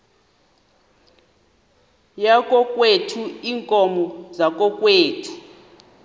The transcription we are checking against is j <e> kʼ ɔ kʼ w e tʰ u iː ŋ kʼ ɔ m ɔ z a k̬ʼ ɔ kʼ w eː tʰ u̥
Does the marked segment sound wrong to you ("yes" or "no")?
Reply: yes